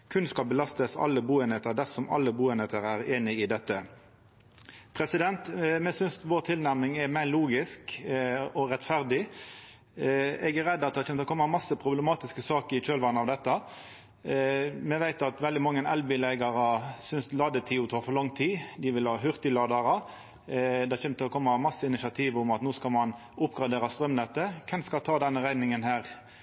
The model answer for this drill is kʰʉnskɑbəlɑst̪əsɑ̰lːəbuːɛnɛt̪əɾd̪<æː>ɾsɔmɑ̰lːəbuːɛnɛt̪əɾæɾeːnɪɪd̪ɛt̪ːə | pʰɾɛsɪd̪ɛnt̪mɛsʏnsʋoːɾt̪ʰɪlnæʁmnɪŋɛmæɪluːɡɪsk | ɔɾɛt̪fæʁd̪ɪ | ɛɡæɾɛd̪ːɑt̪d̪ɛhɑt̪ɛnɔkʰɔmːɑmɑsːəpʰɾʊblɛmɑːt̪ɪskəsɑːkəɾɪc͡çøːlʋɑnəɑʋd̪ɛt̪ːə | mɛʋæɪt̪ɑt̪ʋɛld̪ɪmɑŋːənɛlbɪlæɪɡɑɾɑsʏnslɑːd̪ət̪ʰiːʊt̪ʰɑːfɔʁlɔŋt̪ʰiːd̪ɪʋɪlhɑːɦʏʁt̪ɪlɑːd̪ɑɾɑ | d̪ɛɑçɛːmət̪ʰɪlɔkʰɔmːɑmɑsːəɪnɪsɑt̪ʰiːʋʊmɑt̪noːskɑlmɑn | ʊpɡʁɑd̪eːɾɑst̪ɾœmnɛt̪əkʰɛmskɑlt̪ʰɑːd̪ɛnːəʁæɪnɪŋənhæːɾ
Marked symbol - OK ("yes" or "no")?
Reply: no